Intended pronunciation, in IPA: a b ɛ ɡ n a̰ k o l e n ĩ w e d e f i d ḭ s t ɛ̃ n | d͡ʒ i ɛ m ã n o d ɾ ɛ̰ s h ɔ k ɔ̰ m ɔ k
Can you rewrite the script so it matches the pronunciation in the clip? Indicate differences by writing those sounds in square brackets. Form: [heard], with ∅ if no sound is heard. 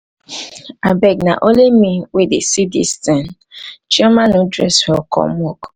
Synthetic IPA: a b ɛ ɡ n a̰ [ʔ] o l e [m] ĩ w e d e [s] i d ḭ s t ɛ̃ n | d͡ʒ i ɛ m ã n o d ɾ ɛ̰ s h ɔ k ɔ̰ m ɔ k